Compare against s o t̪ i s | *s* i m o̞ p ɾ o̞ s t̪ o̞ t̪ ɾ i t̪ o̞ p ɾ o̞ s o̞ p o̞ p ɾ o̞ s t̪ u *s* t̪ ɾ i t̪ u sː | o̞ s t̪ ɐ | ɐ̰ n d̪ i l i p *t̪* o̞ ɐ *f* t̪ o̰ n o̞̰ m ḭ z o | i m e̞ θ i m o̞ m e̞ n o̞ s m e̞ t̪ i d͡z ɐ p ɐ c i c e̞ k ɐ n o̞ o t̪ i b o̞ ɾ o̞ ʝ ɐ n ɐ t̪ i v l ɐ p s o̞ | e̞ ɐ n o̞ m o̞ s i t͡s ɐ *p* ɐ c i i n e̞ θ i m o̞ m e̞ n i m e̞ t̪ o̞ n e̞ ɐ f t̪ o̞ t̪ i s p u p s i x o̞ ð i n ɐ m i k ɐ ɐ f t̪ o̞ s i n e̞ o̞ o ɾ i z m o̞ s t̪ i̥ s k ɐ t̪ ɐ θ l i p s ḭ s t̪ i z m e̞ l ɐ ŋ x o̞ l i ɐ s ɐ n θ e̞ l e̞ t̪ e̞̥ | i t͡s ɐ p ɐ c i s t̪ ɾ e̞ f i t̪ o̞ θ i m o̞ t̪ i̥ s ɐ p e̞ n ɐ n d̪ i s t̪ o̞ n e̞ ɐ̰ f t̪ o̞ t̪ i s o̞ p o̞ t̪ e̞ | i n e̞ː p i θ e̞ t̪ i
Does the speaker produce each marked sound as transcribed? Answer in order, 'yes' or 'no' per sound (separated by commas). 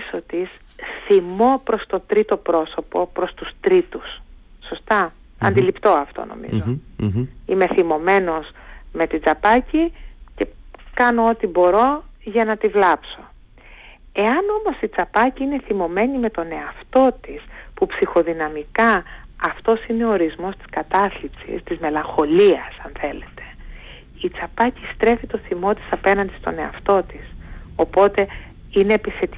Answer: no, yes, yes, yes, yes